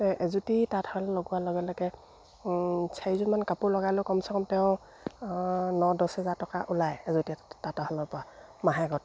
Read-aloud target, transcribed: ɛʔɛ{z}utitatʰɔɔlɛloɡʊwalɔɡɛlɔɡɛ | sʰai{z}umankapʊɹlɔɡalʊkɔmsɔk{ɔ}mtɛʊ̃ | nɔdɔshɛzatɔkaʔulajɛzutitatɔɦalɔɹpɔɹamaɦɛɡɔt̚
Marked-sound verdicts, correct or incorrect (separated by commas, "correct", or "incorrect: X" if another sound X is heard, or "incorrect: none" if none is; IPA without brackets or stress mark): correct, correct, correct